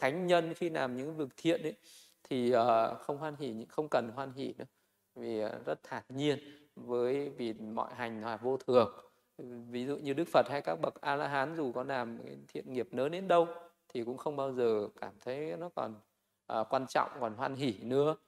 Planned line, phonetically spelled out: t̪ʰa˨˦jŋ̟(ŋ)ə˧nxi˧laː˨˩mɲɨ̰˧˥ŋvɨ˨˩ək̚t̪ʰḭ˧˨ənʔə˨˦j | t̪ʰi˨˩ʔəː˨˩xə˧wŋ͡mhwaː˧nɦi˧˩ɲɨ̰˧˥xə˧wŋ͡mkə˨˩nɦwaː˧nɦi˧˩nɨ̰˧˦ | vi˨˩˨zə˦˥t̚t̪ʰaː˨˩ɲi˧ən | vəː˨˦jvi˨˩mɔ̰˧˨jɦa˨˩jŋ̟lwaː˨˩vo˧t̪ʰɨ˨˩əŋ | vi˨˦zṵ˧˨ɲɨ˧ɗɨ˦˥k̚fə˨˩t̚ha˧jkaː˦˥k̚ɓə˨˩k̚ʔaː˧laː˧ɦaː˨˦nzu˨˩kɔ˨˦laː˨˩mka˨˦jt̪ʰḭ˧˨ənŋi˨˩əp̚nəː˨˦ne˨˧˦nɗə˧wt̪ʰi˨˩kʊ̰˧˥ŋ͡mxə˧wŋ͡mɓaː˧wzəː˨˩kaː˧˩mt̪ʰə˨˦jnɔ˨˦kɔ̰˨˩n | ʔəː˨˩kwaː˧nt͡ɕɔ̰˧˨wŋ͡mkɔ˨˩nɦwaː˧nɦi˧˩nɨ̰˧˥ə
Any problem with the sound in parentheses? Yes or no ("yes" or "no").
yes